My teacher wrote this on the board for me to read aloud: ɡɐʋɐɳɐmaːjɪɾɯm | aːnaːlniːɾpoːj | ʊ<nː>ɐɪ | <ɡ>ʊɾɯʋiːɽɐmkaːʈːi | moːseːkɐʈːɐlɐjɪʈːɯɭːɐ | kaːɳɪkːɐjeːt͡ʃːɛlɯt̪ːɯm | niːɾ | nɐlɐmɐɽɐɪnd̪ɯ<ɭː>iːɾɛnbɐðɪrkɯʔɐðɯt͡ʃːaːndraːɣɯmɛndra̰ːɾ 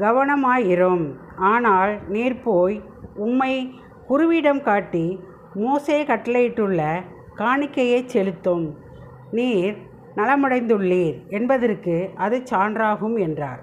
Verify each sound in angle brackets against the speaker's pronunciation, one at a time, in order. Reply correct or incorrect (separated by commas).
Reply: incorrect, incorrect, correct